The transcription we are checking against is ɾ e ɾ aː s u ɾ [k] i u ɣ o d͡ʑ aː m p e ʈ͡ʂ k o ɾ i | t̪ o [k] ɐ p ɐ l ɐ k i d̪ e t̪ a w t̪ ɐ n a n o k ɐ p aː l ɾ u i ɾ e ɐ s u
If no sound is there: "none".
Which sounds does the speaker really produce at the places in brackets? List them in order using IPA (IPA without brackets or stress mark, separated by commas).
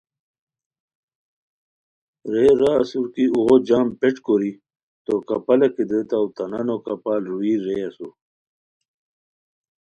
k, k